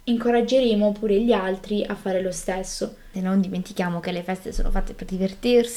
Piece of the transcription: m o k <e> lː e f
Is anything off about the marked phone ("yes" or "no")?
no